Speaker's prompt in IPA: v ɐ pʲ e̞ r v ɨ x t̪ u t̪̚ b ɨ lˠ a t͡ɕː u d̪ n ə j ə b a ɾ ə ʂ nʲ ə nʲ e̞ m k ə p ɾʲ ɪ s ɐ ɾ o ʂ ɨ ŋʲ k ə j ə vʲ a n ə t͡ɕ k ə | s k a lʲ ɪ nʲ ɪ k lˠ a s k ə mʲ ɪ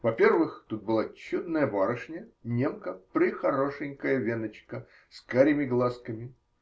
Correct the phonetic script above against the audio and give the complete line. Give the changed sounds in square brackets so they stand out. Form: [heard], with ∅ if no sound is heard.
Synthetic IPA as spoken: v ɐ pʲ e̞ r v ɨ x t̪ u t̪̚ b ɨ lˠ a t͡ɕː u d̪ n ə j ə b a ɾ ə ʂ nʲ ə nʲ e̞ m k ə p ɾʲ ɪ [x] ɐ ɾ o ʂ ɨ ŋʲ k ə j ə vʲ [e] n ə t͡ɕ k ə | s k a [ɾʲ] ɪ [mʲ] ɪ [ɡ] lˠ a s k ə mʲ ɪ

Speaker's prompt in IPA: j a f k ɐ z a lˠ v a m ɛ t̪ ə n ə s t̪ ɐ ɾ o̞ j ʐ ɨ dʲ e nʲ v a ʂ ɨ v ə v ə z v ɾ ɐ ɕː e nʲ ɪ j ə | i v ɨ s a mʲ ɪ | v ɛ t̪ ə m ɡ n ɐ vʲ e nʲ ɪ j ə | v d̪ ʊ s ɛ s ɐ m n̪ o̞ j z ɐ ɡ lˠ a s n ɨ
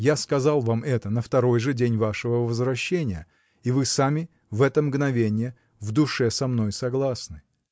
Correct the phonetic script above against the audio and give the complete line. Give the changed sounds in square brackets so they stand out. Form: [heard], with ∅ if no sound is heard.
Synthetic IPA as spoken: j a [s] k ɐ z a lˠ v a m ɛ t̪ ə n ə [f] t̪ ɐ ɾ o̞ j ʐ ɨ dʲ e nʲ v a ʂ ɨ v ə v ə z v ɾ ɐ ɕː e nʲ ɪ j ə | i v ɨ s a mʲ ɪ | v ɛ t̪ ə m ɡ n ɐ vʲ e nʲ ɪ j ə | v d̪ ʊ [ʂ] ɛ s ɐ m n̪ o̞ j [s] ɐ ɡ lˠ a s n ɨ

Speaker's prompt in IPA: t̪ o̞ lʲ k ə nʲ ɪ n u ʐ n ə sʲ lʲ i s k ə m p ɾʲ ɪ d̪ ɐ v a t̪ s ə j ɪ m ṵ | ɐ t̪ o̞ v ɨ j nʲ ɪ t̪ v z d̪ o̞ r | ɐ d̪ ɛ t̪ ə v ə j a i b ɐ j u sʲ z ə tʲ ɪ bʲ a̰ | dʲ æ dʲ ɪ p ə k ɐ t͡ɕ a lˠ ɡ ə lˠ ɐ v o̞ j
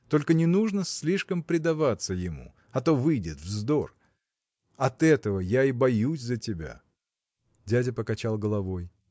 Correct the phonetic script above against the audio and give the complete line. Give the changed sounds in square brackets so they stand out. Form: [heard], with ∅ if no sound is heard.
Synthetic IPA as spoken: t̪ o̞ lʲ k ə nʲ ɪ n u ʐ n ə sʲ lʲ i [ʂ] k ə m p ɾʲ ɪ d̪ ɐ v a t̪ s ə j ɪ m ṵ | ɐ t̪ o̞ v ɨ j [dʲ] ɪ t̪ v z d̪ o̞ r | ɐ [t̪] ɛ t̪ ə v ə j a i b ɐ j u sʲ z ə tʲ ɪ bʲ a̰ | dʲ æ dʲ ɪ p ə k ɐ t͡ɕ a lˠ ɡ ə lˠ ɐ v o̞ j

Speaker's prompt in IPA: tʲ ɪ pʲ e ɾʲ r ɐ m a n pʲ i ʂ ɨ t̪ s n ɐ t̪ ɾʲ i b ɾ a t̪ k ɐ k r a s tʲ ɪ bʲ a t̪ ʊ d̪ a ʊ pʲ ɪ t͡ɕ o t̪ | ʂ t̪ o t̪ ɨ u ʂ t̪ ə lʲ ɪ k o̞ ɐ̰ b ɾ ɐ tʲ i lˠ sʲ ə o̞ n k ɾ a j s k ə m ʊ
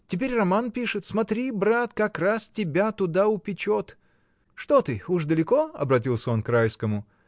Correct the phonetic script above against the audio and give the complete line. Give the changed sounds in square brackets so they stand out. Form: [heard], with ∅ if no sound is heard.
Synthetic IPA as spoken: tʲ ɪ pʲ e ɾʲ r ɐ m a n pʲ i ʂ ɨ t̪ s [m] ɐ t̪ ɾʲ i b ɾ a t̪ k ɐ k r a s tʲ ɪ bʲ a t̪ ʊ d̪ a ʊ pʲ ɪ t͡ɕ o t̪ | ʂ t̪ o t̪ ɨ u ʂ [d̪] ə lʲ ɪ k o̞ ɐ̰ b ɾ ɐ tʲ i lˠ sʲ ə o̞ n k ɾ a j s k ə m ʊ

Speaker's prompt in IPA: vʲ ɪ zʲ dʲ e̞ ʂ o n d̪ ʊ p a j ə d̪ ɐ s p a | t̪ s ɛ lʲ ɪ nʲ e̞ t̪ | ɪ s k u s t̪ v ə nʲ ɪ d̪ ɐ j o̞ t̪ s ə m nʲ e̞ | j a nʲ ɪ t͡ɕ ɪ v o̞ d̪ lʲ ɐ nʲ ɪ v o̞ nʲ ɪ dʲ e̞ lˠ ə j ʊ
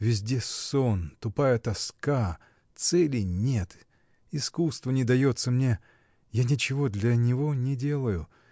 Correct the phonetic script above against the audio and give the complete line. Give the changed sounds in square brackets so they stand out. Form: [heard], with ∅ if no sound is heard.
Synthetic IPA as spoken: vʲ ɪ zʲ dʲ e̞ [s] o n [t̪] ʊ p a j ə [t̪] ɐ s [k] a | t̪ s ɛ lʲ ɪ nʲ e̞ t̪ | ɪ s k u s t̪ v ə nʲ ɪ d̪ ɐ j o̞ t̪ s ə m nʲ e̞ | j a nʲ ɪ t͡ɕ ɪ v o̞ d̪ lʲ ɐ nʲ ɪ v o̞ nʲ ɪ dʲ e̞ lˠ ə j ʊ

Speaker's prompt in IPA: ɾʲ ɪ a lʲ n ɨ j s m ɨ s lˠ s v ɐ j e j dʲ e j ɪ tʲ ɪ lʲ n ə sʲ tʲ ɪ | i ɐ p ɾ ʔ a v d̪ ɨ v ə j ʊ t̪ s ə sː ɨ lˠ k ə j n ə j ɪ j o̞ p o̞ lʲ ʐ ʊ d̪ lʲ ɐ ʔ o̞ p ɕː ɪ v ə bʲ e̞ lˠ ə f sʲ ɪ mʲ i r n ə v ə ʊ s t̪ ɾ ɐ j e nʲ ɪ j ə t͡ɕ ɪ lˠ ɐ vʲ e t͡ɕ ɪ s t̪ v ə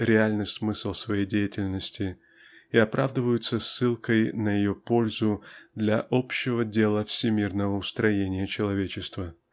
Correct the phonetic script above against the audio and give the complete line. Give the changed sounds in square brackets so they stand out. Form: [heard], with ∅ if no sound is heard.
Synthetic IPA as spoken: ɾʲ ɪ a lʲ n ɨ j s m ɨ s lˠ s v ɐ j e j dʲ e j ɪ tʲ ɪ lʲ n ə sʲ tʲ ɪ | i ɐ p ɾ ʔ a v d̪ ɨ v ə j ʊ t̪ s ə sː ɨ lˠ k ə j n ə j ɪ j o̞ p o̞ lʲ [z] ʊ d̪ lʲ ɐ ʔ o̞ p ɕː ɪ v ə [dʲ] e̞ lˠ ə f sʲ ɪ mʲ i r n ə v ə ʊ s t̪ ɾ ɐ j e nʲ ɪ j ə t͡ɕ ɪ lˠ ɐ vʲ e t͡ɕ ɪ s t̪ v ə

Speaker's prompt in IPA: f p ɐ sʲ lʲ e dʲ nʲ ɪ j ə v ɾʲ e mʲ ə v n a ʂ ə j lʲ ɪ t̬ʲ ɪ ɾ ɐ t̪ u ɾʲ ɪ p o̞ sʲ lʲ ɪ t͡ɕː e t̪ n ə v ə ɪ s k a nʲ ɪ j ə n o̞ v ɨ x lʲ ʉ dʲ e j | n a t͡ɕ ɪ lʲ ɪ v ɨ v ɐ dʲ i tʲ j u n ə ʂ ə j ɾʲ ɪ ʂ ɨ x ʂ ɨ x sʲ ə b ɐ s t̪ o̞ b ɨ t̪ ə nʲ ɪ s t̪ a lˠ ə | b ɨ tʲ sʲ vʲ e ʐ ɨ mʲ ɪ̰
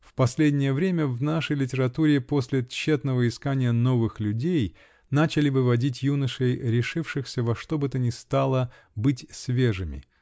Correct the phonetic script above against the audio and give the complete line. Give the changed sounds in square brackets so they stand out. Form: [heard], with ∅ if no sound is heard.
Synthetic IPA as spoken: f p ɐ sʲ lʲ e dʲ nʲ ɪ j ə v ɾʲ e mʲ ə v n a ʂ ə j lʲ ɪ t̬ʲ ɪ ɾ ɐ t̪ u ɾʲ ɪ p o̞ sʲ lʲ ɪ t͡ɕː e t̪ n ə v ə ɪ s k a nʲ ɪ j ə n o̞ v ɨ x lʲ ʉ dʲ e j | n a t͡ɕ ɪ lʲ ɪ v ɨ v ɐ dʲ i tʲ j u n ə ʂ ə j ɾʲ ɪ ʂ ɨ [f] ʂ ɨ x sʲ ə [v] ɐ [ʂ] t̪ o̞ b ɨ t̪ ə nʲ ɪ s t̪ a lˠ ə | b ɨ tʲ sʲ vʲ e ʐ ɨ mʲ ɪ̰

